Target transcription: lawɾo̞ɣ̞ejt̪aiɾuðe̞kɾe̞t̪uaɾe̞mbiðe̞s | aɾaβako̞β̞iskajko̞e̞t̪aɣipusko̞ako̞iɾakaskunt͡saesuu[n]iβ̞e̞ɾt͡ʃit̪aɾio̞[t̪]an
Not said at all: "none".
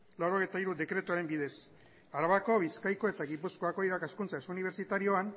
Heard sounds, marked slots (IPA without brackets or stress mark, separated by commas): n, none